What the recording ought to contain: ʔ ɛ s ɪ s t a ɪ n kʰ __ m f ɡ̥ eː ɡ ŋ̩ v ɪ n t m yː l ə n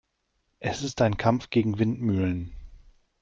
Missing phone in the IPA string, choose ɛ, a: a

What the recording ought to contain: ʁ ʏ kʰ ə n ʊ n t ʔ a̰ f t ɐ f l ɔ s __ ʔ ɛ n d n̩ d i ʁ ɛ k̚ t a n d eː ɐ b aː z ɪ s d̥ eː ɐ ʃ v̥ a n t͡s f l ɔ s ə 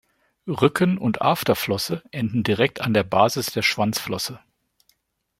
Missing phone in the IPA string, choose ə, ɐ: ə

